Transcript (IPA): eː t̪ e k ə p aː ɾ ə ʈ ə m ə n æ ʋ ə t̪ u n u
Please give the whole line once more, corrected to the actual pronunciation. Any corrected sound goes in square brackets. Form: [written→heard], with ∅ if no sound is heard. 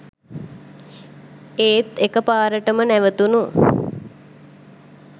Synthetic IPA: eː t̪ e k ə p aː ɾ ə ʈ ə m ə n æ ʋ ə t̪ u n u